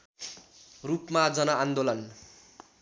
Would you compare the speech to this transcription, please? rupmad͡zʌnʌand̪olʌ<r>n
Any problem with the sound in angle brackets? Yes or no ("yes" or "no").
yes